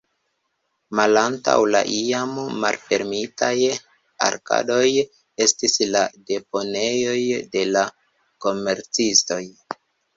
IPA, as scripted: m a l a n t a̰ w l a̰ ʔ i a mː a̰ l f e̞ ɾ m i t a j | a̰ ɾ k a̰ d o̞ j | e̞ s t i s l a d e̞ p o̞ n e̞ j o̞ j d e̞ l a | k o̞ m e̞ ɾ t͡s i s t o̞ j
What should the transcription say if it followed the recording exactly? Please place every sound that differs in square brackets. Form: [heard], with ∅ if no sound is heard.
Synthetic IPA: m a l a n t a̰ w l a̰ ʔ i a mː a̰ l f e̞ ɾ m i t a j | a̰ ɾ k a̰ d o̞ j | e̞ s t i s l a d e̞ p o̞ n e̞ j o̞ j d e̞ l a | k o̞ m e̞ ɾ t͡s i s t o̞ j